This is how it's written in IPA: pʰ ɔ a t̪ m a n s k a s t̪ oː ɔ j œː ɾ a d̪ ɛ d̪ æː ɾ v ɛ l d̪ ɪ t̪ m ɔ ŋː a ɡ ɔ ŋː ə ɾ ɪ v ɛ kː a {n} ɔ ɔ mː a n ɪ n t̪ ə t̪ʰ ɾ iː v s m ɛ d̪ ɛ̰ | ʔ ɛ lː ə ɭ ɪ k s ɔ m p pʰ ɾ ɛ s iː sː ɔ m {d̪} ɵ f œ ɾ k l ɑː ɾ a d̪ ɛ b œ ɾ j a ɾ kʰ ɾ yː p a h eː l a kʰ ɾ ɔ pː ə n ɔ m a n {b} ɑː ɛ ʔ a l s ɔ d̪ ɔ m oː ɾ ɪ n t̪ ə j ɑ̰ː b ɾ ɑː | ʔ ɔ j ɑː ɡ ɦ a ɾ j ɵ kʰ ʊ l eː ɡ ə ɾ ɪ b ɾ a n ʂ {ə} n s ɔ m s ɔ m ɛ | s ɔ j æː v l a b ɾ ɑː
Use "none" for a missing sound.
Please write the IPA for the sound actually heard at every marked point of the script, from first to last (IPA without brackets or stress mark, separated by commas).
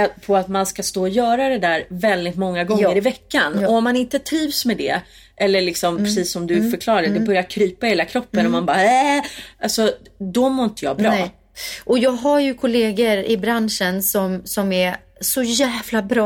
n, d̪, b, ə